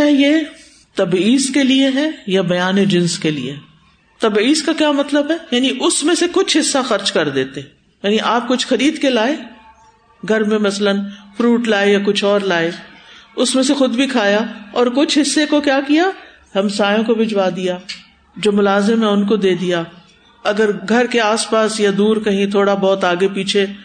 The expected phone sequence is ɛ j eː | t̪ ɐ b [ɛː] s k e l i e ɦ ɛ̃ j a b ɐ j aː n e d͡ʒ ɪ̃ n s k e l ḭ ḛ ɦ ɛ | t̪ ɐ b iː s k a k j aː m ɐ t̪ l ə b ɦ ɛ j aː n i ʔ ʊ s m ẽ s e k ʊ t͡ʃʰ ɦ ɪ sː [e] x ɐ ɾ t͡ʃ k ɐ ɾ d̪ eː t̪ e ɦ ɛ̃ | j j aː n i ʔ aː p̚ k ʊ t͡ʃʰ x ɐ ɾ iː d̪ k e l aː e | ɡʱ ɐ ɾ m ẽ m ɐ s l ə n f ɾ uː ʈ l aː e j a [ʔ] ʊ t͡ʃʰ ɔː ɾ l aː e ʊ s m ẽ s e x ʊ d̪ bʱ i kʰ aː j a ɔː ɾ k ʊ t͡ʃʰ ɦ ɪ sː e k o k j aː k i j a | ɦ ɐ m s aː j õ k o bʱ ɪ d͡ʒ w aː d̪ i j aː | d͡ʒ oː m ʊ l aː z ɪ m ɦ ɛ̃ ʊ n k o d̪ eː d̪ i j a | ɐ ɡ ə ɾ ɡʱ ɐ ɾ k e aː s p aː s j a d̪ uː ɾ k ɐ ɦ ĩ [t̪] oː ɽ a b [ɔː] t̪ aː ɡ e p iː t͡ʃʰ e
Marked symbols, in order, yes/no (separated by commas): no, no, no, no, yes